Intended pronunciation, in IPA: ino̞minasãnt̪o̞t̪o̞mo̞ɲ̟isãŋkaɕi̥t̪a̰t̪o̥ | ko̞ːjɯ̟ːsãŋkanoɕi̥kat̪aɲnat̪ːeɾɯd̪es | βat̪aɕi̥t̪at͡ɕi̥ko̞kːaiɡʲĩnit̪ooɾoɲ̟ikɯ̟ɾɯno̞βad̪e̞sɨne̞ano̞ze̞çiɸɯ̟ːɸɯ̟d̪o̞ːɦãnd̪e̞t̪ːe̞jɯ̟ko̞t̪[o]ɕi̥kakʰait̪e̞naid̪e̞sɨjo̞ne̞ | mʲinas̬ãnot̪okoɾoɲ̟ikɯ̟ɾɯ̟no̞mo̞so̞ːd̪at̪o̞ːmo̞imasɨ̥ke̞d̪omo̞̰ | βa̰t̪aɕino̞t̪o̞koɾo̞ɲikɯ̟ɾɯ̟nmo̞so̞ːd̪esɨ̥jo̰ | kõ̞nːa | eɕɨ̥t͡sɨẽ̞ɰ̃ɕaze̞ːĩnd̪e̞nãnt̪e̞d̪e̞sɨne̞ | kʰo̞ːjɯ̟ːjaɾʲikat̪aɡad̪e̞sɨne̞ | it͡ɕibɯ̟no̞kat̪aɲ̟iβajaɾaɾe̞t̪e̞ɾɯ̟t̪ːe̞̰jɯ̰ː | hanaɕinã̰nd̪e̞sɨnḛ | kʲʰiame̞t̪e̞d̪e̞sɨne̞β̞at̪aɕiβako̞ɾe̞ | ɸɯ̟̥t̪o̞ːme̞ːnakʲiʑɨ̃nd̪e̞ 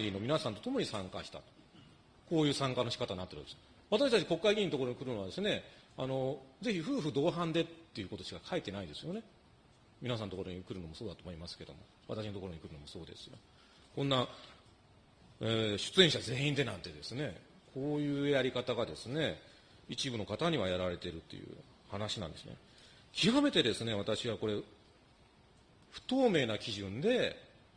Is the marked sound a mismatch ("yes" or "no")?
no